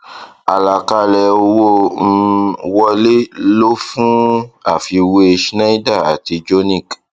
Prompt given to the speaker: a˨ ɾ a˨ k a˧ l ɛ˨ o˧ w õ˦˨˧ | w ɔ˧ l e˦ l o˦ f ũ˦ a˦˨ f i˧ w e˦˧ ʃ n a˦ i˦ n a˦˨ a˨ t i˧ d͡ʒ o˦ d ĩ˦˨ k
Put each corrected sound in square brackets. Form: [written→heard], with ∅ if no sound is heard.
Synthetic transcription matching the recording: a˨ [ɾ→l] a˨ k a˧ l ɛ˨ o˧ w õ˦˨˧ | w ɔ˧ l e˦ l o˦ f ũ˦ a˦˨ f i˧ w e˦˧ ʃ n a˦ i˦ [n→d] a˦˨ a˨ t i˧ d͡ʒ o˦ [d→n] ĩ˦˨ k

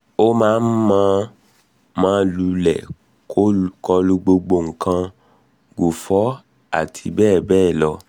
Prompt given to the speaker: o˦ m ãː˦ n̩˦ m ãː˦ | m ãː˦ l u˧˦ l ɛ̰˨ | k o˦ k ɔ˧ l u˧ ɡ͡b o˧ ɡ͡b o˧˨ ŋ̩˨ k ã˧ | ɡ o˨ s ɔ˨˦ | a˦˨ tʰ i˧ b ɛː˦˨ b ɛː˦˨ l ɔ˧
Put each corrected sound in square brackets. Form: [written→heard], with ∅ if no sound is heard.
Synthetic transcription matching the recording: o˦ m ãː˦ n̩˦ m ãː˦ | m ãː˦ l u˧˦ l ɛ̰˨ | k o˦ k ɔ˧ l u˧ ɡ͡b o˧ ɡ͡b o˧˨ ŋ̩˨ k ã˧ | ɡ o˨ [s→f] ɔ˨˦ | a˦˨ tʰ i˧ b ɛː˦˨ b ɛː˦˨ l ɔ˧

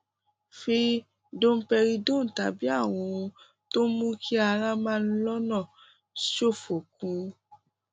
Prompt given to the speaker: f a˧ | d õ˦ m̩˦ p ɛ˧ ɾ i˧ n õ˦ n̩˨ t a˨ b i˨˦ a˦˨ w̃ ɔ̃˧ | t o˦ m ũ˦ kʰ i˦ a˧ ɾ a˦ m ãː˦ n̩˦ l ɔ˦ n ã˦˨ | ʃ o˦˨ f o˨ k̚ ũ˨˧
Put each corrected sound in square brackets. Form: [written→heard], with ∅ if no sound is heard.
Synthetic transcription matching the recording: f [a˧→i˧] | d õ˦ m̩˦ p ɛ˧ ɾ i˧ [n→d] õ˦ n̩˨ t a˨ b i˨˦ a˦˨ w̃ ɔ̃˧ | t o˦ m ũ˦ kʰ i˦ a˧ ɾ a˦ m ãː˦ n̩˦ l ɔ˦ n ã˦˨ | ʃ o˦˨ f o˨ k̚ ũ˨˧

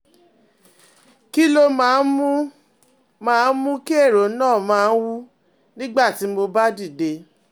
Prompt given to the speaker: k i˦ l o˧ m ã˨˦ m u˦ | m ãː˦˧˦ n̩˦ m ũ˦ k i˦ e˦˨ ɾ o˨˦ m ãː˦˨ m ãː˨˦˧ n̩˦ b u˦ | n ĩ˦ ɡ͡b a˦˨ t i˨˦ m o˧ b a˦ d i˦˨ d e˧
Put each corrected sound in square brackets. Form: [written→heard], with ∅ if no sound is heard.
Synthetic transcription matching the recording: k i˦ l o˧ m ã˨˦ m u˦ | m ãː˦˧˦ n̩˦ m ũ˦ k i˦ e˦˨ ɾ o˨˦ [m→n] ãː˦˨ m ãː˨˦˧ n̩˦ [b→w] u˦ | n ĩ˦ ɡ͡b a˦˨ t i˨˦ m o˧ b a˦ d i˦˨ d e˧

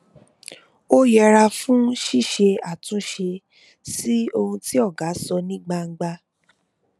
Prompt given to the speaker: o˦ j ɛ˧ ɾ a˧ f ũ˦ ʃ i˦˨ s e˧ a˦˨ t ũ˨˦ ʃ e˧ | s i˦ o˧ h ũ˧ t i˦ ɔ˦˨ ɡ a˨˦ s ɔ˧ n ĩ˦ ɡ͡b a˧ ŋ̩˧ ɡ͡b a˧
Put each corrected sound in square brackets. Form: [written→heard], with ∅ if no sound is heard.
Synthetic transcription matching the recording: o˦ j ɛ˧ ɾ a˧ f ũ˦ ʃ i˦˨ [s→ʃ] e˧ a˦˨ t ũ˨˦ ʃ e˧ | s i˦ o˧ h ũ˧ t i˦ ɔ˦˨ ɡ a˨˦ s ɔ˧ n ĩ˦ ɡ͡b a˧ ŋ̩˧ ɡ͡b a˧

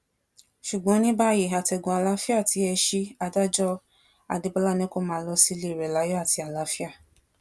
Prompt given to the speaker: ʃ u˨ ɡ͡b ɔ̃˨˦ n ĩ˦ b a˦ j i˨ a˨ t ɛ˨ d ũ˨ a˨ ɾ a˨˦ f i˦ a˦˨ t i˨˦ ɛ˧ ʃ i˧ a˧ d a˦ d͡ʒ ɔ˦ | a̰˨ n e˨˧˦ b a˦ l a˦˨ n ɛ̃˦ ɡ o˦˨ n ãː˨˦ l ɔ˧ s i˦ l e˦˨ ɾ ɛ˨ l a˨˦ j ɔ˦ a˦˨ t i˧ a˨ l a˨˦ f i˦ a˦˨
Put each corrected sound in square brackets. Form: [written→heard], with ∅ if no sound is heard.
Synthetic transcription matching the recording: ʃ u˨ ɡ͡b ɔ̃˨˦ n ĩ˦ b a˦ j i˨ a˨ t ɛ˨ [d→ɡ] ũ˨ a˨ [ɾ→l] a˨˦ f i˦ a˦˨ t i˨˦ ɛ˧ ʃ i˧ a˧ d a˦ d͡ʒ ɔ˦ | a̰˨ [n→d] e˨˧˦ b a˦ l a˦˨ n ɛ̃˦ [ɡ→k] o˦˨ [n→m] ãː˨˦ l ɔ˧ s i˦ l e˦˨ ɾ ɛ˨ l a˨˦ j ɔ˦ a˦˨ t i˧ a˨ l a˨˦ f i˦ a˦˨

